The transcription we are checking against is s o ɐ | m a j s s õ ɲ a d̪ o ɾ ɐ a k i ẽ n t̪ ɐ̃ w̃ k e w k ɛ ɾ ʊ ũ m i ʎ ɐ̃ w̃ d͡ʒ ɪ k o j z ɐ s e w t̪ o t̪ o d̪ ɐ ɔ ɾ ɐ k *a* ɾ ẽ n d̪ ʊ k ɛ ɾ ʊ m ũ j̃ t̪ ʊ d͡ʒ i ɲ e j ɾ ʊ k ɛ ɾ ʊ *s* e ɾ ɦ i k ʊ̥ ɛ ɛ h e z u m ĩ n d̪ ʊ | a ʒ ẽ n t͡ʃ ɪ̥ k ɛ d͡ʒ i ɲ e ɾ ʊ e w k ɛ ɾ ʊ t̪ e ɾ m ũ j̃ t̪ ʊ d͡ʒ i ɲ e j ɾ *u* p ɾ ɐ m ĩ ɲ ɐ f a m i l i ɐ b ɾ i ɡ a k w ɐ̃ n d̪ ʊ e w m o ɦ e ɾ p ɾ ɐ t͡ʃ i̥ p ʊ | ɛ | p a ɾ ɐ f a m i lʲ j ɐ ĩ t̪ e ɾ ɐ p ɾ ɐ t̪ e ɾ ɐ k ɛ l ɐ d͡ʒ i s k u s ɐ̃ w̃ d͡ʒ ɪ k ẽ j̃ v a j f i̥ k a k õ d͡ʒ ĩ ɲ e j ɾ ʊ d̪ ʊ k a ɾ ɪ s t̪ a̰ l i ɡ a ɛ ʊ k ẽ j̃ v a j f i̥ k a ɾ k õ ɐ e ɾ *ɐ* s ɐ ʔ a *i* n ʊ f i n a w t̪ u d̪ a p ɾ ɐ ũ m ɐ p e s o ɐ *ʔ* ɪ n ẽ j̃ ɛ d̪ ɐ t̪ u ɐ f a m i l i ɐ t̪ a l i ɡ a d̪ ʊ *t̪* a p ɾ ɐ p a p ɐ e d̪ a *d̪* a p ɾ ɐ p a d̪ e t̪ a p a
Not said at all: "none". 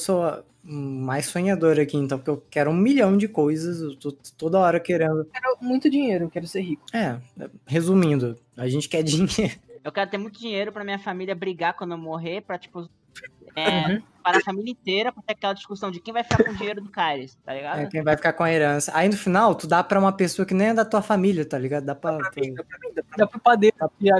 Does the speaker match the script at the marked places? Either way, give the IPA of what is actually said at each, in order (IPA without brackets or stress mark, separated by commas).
e, s, ʊ, ɐ̃, i, k, d̪, d̪